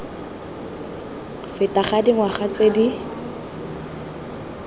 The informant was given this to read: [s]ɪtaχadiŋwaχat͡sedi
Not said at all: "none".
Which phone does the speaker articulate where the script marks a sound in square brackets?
f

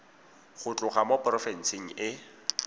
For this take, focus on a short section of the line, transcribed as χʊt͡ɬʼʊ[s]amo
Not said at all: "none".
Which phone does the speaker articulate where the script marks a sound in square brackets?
χ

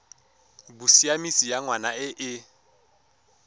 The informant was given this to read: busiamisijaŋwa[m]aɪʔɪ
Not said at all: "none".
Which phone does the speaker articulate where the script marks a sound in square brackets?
n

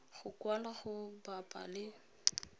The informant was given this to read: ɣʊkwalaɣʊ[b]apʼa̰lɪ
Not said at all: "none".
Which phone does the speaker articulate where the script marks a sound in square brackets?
b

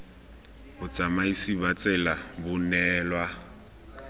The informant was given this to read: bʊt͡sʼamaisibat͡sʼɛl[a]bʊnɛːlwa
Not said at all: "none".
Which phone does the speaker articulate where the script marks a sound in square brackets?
a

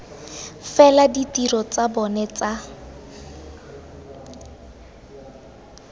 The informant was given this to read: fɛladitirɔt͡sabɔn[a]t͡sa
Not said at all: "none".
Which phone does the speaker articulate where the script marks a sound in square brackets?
ɛ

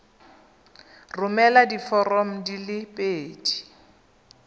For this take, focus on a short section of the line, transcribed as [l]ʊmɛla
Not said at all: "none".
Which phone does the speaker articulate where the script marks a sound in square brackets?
r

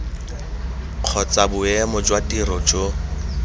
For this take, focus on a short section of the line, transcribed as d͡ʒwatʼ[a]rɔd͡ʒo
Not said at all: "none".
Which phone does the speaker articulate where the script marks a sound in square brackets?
i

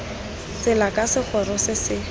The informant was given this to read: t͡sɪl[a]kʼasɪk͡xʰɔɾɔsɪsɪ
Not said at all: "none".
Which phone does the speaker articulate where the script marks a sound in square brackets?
a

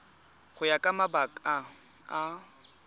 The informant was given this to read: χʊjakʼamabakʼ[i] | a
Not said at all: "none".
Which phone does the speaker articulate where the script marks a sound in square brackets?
a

